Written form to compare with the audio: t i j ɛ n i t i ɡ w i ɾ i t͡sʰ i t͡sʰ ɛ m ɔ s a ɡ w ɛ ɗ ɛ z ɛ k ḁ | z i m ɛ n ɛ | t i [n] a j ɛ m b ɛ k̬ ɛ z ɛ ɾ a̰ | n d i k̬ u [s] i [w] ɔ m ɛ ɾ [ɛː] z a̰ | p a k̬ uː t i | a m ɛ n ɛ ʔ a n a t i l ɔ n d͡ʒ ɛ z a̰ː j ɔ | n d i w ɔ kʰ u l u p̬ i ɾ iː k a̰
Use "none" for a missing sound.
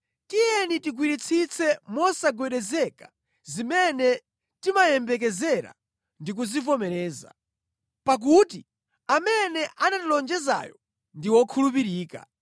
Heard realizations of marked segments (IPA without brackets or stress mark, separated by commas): m, z, v, ɛː